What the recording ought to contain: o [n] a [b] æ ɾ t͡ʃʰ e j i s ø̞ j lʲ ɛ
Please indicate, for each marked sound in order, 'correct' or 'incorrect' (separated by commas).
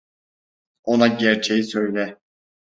correct, incorrect